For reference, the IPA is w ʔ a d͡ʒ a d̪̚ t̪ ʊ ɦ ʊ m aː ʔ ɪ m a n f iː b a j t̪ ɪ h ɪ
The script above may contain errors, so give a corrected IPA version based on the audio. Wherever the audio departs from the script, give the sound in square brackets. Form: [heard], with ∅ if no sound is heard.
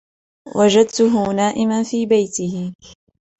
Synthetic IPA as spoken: w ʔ a d͡ʒ a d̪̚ t̪ ʊ ɦ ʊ [n] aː ʔ ɪ m a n f iː b a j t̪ ɪ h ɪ